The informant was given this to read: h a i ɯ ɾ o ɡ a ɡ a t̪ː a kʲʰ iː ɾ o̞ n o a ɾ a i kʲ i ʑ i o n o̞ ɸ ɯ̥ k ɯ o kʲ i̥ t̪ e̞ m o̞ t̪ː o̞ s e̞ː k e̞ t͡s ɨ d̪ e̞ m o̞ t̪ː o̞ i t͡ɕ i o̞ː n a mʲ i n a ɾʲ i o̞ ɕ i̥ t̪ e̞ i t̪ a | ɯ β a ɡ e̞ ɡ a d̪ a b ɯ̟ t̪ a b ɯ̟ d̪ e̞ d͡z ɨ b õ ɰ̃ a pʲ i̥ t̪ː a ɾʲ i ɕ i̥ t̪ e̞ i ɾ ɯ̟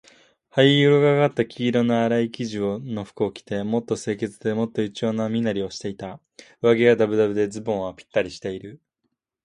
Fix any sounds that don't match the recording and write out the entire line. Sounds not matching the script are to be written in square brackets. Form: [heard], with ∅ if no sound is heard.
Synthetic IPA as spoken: h a i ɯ ɾ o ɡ a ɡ a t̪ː a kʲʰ iː ɾ o̞ n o a ɾ a i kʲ i ʑ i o n o̞ ɸ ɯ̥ k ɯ o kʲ i̥ t̪ e̞ m o̞ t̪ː o̞ s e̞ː k e̞ t͡s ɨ d̪ e̞ m o̞ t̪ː o̞ i t͡ɕ i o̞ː n a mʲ i n a ɾʲ i o̞ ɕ i̥ t̪ e̞ i t̪ a | ɯ β a ɡ e̞ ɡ a d̪ a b ɯ̟ [d̪] a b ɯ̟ d̪ e̞ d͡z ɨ b õ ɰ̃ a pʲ i̥ t̪ː a ɾʲ i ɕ i̥ t̪ e̞ i ɾ ɯ̟